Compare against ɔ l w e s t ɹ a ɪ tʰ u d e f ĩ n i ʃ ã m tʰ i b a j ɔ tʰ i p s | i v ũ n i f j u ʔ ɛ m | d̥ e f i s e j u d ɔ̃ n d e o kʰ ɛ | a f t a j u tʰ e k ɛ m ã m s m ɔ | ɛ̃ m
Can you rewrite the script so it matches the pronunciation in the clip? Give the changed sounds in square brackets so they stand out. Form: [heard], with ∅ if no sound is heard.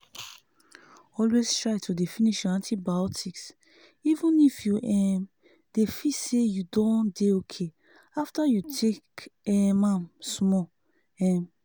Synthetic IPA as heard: ɔ l w e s t ɹ a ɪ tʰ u d e f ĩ n i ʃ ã [n] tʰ i b a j ɔ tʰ i [k] s | i v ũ n i f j u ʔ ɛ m | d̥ e f i s e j u d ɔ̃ n d e o kʰ [e] | a f t a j u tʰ e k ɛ m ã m s m ɔ | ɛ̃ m